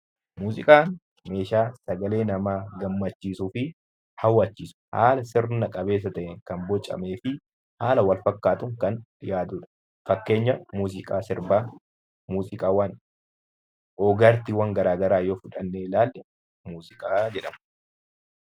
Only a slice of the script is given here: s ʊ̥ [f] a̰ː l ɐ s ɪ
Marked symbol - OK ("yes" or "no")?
no